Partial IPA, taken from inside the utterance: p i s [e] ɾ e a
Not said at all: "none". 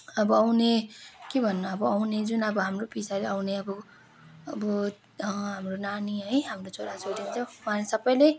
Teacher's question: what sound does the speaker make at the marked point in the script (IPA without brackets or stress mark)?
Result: a